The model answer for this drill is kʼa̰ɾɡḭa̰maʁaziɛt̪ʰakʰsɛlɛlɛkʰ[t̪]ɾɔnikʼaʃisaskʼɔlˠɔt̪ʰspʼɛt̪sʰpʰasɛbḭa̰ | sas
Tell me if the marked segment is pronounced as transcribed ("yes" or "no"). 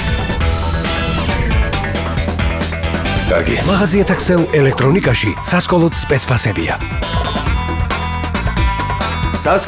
no